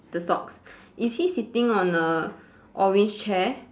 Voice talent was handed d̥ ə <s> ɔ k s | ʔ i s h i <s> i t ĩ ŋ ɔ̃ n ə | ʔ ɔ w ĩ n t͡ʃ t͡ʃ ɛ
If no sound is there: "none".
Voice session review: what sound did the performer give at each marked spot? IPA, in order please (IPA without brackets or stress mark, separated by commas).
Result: s, s